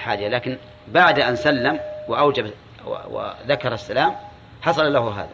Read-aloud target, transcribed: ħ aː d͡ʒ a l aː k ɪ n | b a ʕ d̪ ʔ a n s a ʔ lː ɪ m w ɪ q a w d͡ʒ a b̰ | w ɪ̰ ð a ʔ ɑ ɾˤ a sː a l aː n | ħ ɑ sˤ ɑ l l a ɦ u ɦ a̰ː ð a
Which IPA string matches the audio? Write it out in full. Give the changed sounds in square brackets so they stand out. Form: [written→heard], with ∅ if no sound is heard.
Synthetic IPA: ħ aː d͡ʒ a l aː k ɪ n | b a ʕ d̪ ʔ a n s a [ʔ→∅] lː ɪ m w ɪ [q→ʔ] a w d͡ʒ a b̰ | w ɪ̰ ð a [ʔ→k] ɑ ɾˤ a sː a l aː [n→m] | ħ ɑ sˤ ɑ l l a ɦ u ɦ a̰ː ð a